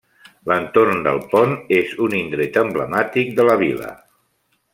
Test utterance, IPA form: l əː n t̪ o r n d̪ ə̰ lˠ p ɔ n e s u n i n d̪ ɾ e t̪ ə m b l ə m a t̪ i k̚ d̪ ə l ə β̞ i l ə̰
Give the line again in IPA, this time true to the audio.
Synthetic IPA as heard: l ə n t̪ o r n d̪ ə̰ lˠ p ɔ n e z u n i n d̪ ɾ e t̪ ə m b l ə m a t̪ i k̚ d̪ ə l ə β̞ i l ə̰